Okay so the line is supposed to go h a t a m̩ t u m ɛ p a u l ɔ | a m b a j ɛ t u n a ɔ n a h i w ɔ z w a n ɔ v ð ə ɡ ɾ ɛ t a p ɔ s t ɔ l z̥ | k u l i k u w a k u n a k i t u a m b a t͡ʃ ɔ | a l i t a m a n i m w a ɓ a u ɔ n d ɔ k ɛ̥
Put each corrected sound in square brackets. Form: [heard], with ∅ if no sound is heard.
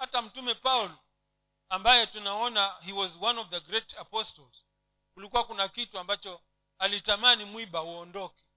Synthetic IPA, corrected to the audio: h a t a m̩ t u m ɛ p a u l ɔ | a m b a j ɛ t u n a ɔ n a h i w ɔ z w a n ɔ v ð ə ɡ ɾ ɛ t a p ɔ s t ɔ l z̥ | k u l i k u w a k u n a k i t u a m b a t͡ʃ ɔ | a l i t a m a n i m w [i] ɓ a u ɔ n d ɔ k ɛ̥